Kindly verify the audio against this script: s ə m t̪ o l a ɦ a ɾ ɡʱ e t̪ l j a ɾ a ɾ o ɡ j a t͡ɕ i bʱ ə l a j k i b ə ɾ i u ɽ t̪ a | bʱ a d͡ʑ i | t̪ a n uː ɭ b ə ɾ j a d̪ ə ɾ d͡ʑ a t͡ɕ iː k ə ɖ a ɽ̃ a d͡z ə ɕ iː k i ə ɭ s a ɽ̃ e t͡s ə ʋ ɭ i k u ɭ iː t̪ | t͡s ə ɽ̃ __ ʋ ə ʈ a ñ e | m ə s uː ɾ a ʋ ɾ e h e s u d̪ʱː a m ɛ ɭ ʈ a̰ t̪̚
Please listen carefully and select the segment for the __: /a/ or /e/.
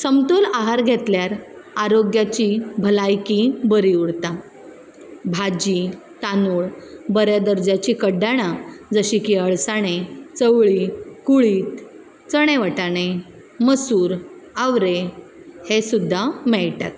e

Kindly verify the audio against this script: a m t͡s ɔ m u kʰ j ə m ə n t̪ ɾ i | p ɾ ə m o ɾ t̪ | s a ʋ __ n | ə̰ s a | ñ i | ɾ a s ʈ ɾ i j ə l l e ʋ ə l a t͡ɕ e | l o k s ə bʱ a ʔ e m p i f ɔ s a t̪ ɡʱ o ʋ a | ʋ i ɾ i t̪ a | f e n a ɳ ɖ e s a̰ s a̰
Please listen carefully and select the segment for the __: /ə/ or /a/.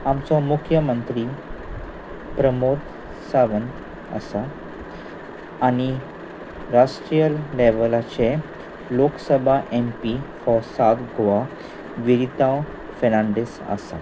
ə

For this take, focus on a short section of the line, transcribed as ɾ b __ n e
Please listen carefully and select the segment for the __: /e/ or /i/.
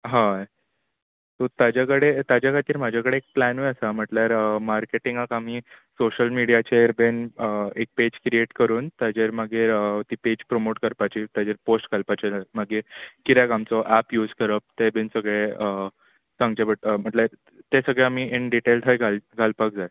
e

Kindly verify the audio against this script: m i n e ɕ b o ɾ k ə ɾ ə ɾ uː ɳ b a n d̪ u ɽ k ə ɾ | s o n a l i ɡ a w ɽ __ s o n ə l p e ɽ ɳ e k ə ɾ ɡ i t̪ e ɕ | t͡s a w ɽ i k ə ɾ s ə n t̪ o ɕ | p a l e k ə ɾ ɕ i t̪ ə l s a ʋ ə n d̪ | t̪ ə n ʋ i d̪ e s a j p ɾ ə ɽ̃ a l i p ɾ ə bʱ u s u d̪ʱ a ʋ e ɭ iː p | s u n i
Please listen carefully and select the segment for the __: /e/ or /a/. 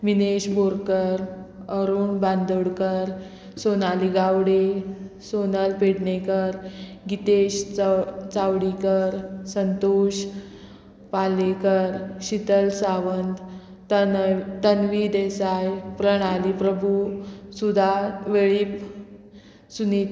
e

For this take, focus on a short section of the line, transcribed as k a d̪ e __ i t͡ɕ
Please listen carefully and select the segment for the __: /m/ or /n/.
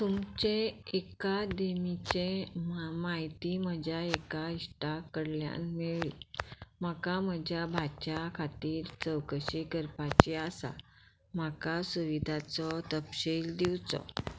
m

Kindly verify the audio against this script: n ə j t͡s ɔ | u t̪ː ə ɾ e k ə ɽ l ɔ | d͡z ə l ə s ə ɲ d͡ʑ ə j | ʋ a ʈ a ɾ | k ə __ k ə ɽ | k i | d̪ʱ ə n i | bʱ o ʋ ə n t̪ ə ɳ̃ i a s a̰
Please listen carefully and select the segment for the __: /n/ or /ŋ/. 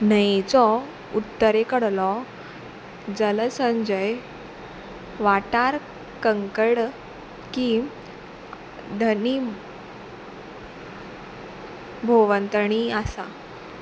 ŋ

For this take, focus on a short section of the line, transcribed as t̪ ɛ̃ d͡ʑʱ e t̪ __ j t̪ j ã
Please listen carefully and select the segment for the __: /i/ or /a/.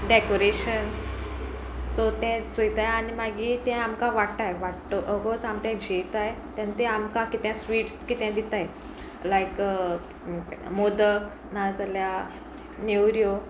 a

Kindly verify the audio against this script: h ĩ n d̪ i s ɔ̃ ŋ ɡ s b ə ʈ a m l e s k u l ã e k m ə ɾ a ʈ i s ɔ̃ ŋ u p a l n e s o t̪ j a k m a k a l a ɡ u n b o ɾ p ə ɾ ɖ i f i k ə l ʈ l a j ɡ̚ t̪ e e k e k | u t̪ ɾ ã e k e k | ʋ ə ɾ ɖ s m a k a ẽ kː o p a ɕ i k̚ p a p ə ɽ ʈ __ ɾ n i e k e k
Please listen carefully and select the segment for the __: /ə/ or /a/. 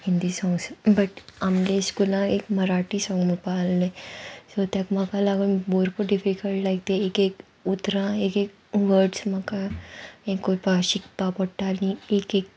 a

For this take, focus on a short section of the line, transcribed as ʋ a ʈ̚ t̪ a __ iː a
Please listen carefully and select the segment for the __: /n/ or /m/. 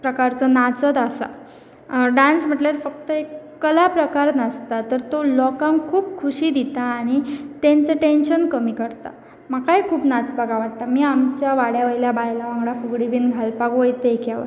m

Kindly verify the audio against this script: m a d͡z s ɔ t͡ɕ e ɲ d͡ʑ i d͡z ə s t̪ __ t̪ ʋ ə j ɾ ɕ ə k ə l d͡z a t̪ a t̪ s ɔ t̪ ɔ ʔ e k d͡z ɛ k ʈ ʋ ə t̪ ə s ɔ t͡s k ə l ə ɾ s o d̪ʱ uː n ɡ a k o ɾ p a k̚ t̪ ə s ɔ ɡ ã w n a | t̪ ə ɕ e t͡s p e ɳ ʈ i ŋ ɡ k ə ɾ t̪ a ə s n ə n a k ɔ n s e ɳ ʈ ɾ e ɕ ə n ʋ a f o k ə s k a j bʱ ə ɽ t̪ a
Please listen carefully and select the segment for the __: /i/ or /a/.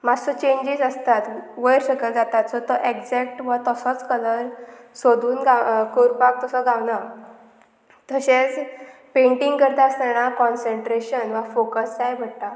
a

